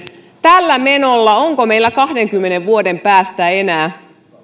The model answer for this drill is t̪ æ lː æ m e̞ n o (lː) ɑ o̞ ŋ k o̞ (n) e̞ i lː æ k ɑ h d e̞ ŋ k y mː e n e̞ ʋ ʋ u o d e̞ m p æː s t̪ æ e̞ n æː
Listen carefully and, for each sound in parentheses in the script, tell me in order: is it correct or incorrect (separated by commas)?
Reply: correct, incorrect